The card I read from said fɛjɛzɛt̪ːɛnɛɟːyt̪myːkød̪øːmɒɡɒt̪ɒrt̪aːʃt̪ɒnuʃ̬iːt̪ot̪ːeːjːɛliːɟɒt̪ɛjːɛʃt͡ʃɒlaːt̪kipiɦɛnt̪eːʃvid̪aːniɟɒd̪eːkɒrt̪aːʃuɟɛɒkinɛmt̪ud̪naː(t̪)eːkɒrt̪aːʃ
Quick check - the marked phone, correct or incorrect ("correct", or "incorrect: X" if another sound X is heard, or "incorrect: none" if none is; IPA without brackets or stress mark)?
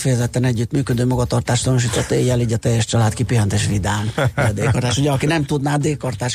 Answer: incorrect: d̪